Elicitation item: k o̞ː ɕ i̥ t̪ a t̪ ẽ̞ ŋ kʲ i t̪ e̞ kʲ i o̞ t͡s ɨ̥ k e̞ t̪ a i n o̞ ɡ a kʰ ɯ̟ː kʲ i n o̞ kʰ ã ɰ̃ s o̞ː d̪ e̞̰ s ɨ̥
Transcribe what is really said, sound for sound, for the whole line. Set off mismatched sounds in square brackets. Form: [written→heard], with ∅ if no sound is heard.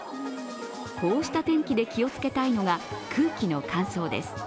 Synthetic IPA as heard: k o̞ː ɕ i̥ t̪ a t̪ ẽ̞ ŋ kʲ i [t̪→d̪] e̞ kʲ i o̞ t͡s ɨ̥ k e̞ t̪ a i n o̞ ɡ a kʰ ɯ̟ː kʲ i n o̞ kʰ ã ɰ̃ s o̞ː d̪ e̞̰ s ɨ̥